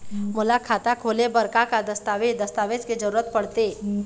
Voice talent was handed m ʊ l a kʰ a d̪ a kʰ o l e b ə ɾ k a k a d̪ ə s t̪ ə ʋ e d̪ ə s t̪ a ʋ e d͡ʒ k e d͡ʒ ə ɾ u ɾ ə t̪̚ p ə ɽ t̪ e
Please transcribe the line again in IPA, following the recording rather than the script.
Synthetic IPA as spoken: m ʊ l a kʰ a t̪ a kʰ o l e b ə ɾ k a k a d̪ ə s t̪ a ʋ e d̪ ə s t̪ a ʋ e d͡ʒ k e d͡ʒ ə ɾ u ɾ ə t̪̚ p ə ɽ t̪ e